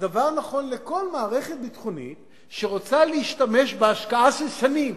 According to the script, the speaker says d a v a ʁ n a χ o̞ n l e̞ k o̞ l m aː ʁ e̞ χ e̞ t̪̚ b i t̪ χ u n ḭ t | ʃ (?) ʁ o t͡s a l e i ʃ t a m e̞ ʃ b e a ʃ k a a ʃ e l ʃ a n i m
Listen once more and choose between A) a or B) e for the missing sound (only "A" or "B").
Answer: B